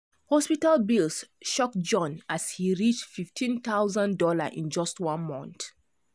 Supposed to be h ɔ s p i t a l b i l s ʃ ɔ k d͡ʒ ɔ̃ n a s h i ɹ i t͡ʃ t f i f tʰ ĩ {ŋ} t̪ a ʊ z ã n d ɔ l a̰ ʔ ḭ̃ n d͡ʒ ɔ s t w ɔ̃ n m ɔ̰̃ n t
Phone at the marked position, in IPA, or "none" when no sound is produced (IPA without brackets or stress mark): n